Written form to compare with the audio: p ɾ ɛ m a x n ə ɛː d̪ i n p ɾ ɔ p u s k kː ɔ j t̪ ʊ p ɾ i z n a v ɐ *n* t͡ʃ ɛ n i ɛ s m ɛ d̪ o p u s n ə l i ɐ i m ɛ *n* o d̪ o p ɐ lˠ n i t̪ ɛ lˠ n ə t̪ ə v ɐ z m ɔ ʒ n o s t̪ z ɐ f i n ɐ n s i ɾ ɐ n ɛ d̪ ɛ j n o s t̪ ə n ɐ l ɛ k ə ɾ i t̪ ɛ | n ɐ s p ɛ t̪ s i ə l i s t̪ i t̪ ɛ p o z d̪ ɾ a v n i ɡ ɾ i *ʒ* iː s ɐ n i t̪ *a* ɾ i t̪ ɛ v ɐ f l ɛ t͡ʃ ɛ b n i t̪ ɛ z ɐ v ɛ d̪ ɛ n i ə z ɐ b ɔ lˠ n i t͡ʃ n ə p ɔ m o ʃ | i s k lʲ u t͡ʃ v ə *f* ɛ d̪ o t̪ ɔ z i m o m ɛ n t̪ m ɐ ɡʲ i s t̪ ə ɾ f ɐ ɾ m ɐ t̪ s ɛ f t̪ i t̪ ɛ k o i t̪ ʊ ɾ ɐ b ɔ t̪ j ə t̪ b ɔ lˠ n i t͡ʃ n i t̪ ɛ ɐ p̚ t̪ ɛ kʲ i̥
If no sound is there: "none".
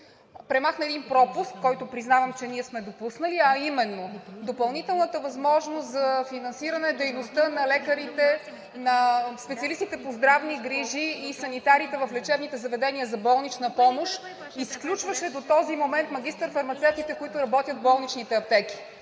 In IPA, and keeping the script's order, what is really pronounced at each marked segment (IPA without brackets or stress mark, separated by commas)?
m, nː, ʒ, a, ʃ